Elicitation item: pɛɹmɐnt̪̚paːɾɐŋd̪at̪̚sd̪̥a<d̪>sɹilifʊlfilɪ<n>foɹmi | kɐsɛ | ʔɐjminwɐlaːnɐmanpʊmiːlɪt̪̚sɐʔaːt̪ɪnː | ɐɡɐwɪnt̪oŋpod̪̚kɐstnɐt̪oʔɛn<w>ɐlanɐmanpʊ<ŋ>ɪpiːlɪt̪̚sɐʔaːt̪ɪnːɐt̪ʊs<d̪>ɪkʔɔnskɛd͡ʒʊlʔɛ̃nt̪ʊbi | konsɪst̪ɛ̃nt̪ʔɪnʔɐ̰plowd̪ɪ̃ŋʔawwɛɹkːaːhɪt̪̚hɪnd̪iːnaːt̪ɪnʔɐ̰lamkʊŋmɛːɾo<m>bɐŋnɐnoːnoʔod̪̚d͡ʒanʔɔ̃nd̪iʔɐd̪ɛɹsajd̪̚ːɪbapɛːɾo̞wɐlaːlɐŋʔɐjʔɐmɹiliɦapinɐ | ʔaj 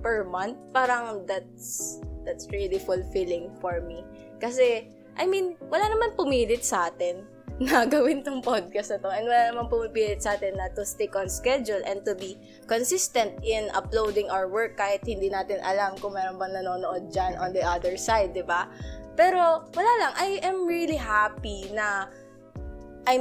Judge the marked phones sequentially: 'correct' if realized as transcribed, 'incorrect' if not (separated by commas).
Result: incorrect, incorrect, correct, incorrect, incorrect, incorrect